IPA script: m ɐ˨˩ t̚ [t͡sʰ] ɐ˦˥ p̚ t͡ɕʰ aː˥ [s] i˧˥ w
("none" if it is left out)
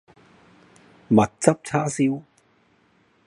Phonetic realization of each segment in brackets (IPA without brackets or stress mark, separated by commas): t͡s, s